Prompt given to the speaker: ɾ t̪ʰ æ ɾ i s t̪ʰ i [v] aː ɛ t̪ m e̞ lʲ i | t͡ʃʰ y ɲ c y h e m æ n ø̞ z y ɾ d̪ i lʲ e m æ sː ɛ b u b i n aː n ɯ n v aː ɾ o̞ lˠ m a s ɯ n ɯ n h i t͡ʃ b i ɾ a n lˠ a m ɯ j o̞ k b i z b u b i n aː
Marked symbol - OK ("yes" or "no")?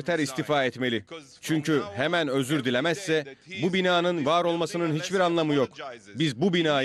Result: no